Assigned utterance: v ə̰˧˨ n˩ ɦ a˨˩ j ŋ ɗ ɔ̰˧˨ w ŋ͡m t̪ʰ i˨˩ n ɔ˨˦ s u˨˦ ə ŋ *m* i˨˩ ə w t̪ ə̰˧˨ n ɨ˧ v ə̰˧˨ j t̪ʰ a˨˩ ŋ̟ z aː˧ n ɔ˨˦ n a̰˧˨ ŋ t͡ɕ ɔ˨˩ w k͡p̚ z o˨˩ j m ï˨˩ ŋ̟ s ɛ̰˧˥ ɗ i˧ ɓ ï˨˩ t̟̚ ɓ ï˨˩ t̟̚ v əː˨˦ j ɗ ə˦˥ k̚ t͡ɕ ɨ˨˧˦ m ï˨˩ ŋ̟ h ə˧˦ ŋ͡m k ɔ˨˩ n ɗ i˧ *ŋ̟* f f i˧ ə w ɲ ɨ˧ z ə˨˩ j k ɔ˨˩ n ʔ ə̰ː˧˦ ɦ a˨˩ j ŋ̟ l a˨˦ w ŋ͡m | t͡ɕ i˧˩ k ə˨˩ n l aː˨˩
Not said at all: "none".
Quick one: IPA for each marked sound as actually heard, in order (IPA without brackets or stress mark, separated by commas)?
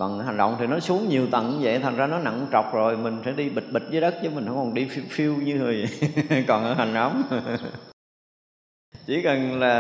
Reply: ɲ, none